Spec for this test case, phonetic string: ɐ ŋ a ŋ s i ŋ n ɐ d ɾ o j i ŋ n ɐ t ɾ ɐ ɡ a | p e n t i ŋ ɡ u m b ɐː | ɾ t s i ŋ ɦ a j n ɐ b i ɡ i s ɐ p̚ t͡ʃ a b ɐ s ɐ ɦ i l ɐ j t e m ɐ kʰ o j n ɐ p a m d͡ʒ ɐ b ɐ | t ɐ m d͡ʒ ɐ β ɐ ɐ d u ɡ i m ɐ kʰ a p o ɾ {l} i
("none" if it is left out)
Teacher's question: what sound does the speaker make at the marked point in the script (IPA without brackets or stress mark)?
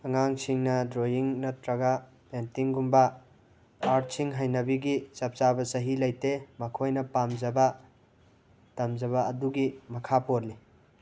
l